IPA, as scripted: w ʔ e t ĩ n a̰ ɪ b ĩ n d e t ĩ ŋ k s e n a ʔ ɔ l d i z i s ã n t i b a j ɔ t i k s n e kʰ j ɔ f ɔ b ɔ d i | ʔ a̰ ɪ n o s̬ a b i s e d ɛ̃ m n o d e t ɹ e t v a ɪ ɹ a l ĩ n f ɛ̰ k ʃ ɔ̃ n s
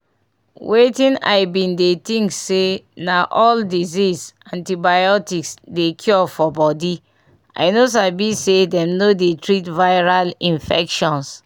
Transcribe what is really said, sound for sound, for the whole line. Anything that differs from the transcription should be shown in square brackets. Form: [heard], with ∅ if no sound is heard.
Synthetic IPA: w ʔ e t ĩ n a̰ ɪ b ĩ n d e t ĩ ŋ k s e n a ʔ ɔ l d i z i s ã n t i b a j ɔ t i k s [d] e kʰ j ɔ f ɔ b ɔ d i | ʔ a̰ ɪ n o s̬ a b i s e d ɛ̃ m n o d e t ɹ [i] t v a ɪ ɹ a l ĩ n f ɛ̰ k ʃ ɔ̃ n s